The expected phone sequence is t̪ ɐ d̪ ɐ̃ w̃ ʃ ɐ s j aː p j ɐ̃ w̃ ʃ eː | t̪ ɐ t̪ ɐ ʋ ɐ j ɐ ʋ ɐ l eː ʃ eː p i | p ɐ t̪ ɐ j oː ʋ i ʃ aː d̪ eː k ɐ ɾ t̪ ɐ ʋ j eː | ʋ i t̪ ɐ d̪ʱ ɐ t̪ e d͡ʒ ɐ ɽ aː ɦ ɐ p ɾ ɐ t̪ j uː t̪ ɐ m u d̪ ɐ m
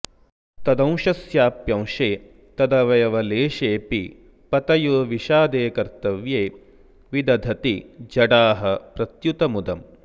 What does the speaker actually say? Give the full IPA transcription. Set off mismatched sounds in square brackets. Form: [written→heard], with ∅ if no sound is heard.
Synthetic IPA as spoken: t̪ ɐ d̪ ɐ̃ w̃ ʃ ɐ s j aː p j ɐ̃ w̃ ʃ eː | t̪ ɐ [t̪→d̪] ɐ ʋ ɐ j ɐ ʋ ɐ l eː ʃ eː p i | p ɐ t̪ ɐ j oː ʋ i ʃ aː d̪ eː k ɐ ɾ t̪ ɐ ʋ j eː | ʋ i [t̪→d̪] ɐ d̪ʱ ɐ t̪ [e→i] d͡ʒ ɐ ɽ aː ɦ ɐ p ɾ ɐ t̪ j [uː→u] t̪ ɐ m u d̪ ɐ m